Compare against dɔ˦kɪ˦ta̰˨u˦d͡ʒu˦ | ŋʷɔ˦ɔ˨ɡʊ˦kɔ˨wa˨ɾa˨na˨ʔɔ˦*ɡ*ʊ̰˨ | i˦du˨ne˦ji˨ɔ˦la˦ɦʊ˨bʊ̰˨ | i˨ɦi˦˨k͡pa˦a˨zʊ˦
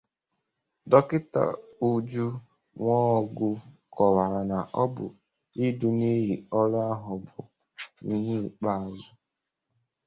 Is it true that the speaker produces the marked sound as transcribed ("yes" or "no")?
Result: no